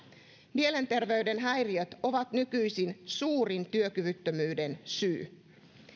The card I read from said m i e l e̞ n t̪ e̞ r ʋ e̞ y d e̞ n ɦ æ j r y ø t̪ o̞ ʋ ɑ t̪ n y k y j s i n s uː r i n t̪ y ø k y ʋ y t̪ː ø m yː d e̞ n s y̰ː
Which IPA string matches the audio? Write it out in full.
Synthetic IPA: m i e l e̞ n t̪ e̞ r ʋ e̞ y d e̞ n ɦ æ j r i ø t̪ o̞ ʋ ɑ t̪ n y k y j s i n s uː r i n t̪ y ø k y ʋ y t̪ː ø m yː d e̞ n s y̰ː